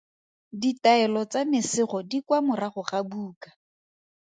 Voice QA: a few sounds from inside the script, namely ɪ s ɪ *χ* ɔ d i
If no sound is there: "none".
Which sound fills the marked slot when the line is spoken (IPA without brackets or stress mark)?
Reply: χ